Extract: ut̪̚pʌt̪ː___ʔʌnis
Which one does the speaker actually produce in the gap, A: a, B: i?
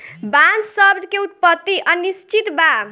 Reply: B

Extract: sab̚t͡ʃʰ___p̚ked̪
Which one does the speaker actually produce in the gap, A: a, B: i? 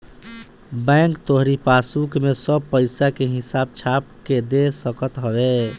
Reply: A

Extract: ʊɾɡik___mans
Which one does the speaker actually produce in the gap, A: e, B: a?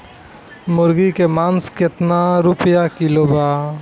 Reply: A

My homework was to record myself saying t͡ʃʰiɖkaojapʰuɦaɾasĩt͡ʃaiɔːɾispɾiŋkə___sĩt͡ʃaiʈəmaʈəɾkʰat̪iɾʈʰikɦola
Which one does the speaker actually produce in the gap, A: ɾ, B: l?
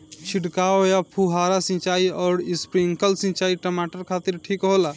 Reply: B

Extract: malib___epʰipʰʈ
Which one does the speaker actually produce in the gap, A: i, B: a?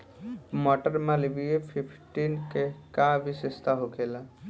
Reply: A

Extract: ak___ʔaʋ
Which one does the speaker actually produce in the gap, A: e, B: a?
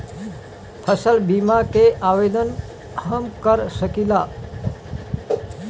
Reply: A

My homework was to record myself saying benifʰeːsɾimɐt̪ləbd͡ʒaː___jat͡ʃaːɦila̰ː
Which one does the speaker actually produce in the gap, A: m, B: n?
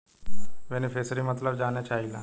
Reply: B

